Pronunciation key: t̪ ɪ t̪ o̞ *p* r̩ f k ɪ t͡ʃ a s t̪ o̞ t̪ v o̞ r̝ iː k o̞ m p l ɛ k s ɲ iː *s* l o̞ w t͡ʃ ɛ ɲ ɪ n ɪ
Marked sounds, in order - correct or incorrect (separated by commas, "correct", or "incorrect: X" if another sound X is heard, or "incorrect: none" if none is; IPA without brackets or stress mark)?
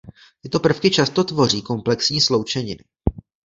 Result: correct, correct